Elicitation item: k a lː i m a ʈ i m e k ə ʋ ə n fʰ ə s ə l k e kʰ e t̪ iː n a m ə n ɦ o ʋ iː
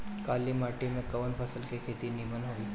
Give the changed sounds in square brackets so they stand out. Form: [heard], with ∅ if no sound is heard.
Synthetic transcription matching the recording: k a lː i m a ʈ i m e k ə ʋ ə n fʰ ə s ə l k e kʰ e t̪ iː n [i] m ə n ɦ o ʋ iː